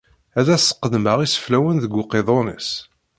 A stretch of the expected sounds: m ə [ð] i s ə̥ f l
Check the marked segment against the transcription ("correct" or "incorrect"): incorrect